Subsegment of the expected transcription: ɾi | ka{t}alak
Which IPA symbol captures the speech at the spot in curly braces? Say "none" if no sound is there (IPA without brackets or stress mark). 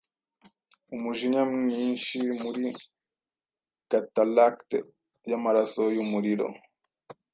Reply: t